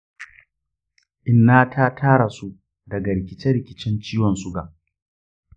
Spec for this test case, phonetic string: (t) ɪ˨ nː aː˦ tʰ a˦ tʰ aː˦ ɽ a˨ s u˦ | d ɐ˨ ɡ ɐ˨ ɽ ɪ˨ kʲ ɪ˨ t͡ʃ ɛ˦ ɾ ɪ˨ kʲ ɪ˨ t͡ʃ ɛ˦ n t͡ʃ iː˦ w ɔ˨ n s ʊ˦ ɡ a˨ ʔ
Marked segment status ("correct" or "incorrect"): incorrect